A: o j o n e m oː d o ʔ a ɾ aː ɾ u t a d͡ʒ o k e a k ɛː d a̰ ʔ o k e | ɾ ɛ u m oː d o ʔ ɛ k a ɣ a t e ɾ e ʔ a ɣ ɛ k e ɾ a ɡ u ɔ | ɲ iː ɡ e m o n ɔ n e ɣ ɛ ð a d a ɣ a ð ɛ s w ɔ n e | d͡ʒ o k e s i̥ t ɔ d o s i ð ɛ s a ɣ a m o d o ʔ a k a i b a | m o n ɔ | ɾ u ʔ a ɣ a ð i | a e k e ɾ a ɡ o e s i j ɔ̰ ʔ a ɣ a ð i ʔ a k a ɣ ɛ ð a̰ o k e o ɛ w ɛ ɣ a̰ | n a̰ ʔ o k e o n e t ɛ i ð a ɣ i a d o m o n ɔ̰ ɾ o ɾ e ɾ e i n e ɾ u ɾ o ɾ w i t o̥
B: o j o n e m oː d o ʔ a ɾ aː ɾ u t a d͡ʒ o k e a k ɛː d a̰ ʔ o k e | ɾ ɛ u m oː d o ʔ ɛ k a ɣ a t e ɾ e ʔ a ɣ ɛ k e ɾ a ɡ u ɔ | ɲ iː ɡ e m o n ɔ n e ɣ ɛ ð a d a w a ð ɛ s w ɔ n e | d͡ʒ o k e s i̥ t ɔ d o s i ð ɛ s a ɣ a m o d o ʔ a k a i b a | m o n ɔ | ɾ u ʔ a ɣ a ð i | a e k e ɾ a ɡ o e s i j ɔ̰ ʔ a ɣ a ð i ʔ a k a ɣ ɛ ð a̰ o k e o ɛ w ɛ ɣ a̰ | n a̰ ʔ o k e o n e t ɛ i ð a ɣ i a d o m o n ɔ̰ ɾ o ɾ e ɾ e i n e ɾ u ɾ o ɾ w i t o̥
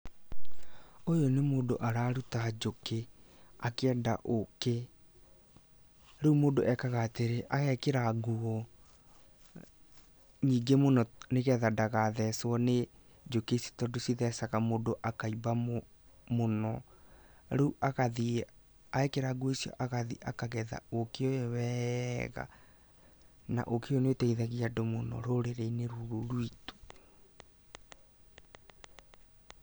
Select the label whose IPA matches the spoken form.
A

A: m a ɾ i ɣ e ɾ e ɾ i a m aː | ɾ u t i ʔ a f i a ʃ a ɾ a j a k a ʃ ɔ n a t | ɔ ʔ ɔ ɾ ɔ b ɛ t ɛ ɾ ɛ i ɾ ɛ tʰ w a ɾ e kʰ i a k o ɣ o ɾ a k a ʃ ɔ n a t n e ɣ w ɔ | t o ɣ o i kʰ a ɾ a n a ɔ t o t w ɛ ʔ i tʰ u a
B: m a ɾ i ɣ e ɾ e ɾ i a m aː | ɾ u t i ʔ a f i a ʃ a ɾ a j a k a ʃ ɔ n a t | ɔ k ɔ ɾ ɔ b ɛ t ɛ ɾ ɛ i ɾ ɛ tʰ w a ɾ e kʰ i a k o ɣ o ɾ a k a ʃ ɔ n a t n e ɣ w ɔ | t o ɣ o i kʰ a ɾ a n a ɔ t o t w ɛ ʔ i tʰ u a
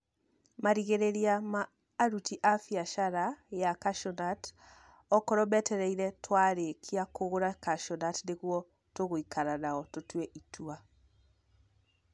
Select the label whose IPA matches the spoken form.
B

